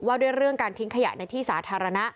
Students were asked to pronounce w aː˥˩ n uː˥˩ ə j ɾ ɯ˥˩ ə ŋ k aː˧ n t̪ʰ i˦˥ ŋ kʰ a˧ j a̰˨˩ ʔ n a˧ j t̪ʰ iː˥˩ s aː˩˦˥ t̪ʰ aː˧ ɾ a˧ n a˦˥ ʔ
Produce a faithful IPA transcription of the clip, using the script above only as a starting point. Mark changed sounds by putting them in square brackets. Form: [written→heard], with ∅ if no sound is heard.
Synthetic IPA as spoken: w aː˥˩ [n→d] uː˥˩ ə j ɾ ɯ˥˩ ə ŋ k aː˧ n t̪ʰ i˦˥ ŋ kʰ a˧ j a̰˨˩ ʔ n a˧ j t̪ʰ iː˥˩ s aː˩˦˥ t̪ʰ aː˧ ɾ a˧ n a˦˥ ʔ